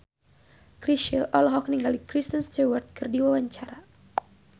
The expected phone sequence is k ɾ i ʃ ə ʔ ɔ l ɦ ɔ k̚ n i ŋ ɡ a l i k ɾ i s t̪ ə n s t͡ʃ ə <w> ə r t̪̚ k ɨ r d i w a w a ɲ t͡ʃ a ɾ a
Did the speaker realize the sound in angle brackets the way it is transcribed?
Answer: yes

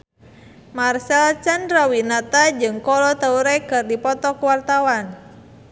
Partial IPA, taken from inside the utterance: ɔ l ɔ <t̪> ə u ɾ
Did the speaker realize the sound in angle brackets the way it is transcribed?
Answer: yes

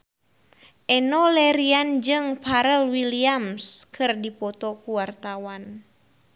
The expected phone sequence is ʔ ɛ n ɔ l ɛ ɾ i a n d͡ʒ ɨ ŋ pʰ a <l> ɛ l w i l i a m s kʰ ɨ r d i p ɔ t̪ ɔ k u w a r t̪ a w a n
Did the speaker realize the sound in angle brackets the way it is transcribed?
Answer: no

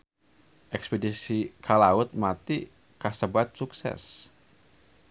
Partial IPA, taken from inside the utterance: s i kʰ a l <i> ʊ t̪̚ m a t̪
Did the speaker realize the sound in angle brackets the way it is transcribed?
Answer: no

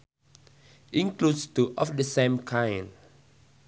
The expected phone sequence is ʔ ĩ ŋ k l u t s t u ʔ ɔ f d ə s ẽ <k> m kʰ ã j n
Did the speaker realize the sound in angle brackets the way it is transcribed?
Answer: no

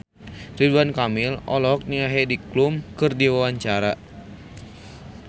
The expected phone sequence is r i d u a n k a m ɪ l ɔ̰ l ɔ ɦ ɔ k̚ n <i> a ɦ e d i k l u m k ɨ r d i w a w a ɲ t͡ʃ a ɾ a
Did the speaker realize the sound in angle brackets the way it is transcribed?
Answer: yes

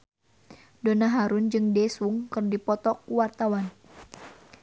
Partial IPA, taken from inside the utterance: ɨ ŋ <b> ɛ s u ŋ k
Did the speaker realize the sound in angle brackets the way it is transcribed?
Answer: no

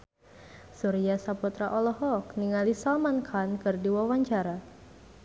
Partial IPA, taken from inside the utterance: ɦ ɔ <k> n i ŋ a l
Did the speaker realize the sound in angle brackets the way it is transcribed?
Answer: yes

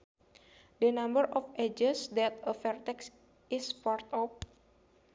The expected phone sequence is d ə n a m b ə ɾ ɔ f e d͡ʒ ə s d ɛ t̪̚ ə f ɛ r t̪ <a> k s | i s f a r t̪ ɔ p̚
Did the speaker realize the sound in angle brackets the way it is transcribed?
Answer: no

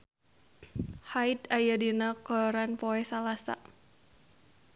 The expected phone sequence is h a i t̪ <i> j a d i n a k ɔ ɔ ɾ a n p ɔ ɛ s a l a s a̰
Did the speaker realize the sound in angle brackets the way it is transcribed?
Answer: no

